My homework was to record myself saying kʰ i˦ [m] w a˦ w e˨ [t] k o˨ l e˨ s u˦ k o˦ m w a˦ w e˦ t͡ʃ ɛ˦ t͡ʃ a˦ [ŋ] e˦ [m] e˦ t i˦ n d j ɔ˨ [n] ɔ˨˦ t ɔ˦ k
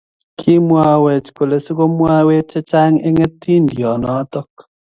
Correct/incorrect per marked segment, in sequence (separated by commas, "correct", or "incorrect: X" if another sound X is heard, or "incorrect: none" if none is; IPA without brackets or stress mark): correct, incorrect: t͡ʃ, correct, incorrect: ŋ, correct